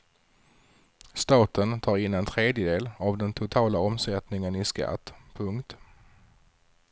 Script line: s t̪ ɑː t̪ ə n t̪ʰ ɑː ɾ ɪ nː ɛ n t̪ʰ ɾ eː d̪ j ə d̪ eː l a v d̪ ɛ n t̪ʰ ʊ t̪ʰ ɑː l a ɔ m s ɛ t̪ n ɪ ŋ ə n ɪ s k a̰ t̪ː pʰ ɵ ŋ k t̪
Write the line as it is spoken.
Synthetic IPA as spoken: s t̪ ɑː t̪ ə n t̪ʰ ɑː ɾ ɪ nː ɛ n t̪ʰ ɾ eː d̪ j ə d̪ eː l a v d̪ ɛ n t̪ʰ ʊ t̪ʰ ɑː l a ɔ m s ɛ t̪ n ɪ ŋ ə n ɪ s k a̰ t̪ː pʰ ɵ ŋ k t̪